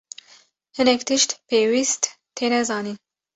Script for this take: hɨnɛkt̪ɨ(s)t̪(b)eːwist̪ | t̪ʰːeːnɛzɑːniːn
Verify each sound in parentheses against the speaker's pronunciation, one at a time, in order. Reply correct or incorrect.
incorrect, incorrect

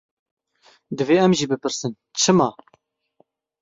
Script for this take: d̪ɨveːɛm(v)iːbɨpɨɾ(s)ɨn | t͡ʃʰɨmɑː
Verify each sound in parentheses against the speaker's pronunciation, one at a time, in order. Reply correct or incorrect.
incorrect, correct

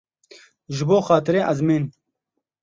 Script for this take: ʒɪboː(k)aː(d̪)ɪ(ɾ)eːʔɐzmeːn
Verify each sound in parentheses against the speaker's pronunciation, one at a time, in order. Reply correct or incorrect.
incorrect, incorrect, correct

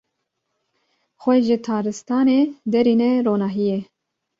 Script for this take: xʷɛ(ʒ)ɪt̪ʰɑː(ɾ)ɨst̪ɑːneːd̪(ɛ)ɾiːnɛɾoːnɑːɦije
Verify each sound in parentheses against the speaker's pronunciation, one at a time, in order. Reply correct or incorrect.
correct, correct, correct

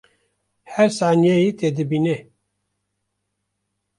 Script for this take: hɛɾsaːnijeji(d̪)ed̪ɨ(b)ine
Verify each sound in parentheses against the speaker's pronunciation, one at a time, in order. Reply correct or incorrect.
incorrect, correct

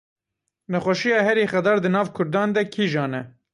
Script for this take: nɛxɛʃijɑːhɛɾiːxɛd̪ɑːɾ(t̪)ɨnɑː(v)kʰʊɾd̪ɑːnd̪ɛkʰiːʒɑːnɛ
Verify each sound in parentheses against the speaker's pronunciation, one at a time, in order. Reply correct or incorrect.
incorrect, correct

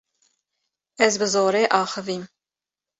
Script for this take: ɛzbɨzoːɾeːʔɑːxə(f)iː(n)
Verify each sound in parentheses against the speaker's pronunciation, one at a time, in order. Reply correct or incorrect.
incorrect, incorrect

